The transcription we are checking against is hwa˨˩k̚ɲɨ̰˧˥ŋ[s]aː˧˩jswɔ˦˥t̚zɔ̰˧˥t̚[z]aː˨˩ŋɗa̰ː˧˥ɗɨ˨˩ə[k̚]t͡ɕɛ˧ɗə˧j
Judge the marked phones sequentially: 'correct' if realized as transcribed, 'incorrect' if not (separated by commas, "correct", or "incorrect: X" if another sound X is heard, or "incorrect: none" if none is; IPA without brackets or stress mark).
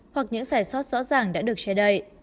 incorrect: z, correct, correct